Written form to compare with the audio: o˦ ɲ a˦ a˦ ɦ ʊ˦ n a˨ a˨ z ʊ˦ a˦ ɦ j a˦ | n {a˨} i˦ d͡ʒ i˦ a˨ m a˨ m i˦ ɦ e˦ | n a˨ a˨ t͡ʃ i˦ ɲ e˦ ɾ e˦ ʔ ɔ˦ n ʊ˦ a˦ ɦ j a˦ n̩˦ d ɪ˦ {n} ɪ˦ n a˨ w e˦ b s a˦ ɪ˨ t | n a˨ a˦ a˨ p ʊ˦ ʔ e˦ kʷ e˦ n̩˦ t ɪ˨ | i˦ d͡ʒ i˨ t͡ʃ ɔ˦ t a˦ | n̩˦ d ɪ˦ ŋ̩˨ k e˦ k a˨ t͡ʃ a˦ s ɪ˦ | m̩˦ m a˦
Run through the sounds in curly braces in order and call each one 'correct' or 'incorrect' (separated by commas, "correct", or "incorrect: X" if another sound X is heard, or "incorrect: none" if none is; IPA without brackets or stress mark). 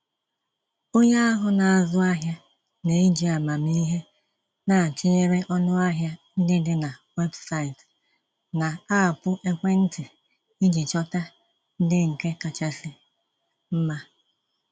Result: incorrect: e˨, incorrect: d